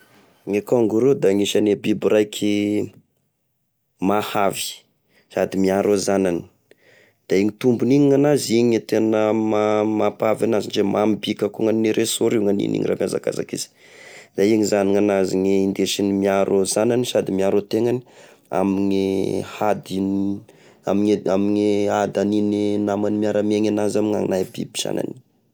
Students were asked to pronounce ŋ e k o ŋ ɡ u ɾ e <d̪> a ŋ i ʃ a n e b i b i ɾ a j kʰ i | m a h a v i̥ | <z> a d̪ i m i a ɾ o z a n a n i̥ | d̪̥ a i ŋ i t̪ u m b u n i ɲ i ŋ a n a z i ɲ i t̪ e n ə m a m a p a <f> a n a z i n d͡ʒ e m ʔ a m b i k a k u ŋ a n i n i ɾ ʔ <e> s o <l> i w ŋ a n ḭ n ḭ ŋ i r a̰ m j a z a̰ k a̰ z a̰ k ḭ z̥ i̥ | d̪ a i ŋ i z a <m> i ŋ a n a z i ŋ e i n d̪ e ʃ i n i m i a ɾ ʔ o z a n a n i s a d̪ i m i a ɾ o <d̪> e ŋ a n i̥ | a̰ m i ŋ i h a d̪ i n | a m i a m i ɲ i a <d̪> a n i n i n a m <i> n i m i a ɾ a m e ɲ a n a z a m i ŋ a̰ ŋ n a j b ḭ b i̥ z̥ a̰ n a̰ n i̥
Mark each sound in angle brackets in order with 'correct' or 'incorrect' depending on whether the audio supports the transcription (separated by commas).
correct, incorrect, incorrect, correct, incorrect, incorrect, incorrect, correct, incorrect